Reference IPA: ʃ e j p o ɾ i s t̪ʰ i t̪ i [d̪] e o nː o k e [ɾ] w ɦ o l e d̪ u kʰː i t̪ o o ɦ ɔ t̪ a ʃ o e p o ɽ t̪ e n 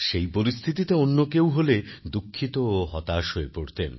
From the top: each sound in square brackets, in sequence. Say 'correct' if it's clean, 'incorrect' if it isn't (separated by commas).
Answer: incorrect, incorrect